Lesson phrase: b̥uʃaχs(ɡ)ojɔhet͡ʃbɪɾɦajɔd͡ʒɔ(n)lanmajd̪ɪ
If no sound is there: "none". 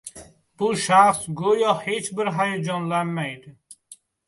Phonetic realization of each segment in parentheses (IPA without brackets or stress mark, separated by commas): ɡ, n